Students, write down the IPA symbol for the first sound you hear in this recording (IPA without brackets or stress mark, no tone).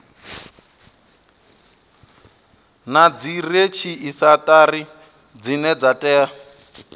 n